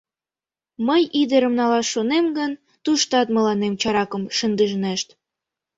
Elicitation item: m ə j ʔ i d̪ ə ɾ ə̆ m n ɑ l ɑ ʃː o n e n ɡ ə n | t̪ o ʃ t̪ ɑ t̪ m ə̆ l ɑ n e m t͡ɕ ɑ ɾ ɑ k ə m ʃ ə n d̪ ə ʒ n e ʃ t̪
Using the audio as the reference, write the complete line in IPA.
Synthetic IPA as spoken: m ə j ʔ i d̪ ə ɾ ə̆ m n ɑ l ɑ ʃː o n e m ɡ ə n | t̪ u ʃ t̪ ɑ t̪ m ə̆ l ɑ n e m t͡ɕ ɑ ɾ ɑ k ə m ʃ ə n d̪ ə ʒ n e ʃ t̪